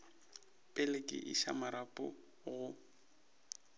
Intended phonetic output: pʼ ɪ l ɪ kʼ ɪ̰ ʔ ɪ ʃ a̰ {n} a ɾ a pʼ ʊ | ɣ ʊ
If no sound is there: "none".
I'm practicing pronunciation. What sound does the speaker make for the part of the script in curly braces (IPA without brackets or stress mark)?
m